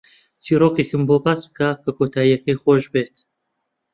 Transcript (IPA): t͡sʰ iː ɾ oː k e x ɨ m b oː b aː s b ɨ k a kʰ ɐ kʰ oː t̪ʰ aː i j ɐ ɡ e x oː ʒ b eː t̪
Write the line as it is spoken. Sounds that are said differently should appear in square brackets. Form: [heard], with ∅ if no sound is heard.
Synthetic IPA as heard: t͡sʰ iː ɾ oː k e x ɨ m b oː b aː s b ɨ k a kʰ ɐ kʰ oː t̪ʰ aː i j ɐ [k] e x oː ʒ b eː t̪